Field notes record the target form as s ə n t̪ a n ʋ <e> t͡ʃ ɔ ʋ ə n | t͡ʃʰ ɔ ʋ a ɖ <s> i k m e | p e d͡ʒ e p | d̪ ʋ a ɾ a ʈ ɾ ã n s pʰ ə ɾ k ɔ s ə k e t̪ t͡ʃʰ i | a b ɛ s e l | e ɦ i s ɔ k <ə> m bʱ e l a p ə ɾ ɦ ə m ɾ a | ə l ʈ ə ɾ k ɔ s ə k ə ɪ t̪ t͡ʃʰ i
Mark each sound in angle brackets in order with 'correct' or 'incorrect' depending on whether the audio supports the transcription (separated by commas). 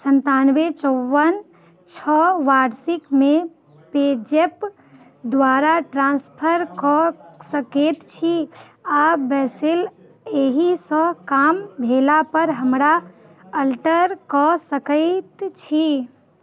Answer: correct, correct, incorrect